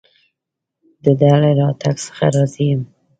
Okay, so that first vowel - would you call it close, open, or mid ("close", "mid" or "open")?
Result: mid